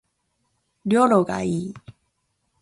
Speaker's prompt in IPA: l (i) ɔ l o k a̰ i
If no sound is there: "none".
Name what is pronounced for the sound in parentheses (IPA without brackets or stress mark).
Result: j